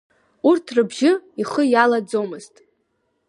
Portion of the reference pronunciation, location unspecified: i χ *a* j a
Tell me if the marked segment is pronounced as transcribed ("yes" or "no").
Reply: no